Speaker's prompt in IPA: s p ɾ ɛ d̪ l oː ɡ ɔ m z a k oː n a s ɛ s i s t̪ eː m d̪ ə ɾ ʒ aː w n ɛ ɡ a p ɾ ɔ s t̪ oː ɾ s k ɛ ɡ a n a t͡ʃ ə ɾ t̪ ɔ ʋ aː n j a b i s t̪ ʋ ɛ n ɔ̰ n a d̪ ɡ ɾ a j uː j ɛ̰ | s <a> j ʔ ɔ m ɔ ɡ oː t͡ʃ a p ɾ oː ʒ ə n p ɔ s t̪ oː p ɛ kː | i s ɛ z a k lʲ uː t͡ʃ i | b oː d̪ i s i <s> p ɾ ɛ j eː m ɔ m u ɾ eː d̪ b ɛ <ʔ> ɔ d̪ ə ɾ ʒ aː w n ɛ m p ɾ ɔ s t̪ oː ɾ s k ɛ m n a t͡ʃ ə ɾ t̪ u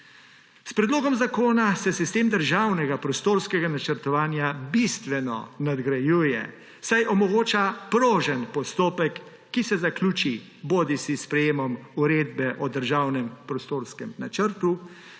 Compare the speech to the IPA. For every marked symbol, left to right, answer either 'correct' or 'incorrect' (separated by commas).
correct, correct, correct